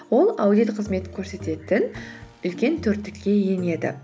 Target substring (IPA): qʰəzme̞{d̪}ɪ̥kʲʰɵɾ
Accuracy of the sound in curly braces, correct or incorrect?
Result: incorrect: t̪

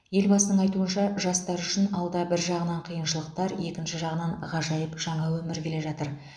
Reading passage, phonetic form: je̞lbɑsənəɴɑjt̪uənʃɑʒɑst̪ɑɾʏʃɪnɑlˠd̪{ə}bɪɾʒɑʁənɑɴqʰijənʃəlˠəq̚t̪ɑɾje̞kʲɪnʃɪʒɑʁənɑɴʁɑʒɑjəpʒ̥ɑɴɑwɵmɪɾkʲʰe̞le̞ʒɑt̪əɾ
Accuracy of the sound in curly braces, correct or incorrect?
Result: incorrect: ɑ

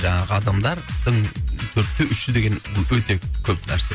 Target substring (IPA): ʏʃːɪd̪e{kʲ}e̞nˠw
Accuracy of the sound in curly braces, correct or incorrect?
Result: incorrect: ɡʲ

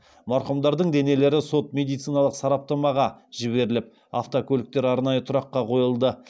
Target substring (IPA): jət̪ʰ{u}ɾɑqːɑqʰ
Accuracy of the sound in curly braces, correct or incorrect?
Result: incorrect: ʊ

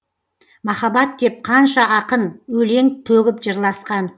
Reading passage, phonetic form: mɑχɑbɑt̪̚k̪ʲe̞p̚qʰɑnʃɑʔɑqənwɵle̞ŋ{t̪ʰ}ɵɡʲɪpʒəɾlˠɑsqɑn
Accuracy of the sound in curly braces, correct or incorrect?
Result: correct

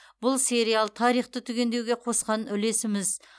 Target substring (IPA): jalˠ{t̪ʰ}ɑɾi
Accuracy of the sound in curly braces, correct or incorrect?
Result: correct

